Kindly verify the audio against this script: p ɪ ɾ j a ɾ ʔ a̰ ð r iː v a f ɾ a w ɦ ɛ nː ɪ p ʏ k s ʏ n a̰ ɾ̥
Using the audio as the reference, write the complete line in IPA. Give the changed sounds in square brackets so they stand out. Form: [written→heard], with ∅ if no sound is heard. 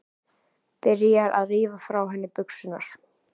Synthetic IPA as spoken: p ɪ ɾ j a ɾ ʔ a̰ ð r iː v a f ɾ a w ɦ ɛ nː ɪ p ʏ k s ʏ n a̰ ɾ̥